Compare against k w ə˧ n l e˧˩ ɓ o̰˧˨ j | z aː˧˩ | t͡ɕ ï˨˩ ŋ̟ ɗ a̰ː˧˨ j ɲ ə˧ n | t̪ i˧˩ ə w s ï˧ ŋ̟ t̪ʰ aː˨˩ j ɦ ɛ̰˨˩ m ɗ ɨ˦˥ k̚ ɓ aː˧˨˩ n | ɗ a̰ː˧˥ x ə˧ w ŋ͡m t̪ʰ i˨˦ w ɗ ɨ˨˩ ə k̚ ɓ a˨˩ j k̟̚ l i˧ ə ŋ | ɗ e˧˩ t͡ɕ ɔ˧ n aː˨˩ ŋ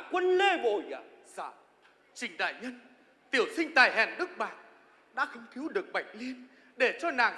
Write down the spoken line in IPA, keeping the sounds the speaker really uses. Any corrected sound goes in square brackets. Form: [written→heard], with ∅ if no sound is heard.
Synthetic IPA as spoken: k w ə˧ n l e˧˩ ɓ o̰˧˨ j | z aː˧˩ | t͡ɕ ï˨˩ ŋ̟ ɗ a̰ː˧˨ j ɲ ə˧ n | t̪ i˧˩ ə w s ï˧ ŋ̟ [t̪ʰ→t̪] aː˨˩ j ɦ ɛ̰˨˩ [m→n] ɗ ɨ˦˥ k̚ ɓ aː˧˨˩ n | ɗ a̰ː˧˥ x ə˧ w ŋ͡m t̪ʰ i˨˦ w ɗ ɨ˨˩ ə k̚ ɓ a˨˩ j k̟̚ l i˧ ə [ŋ→n] | ɗ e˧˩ t͡ɕ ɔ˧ n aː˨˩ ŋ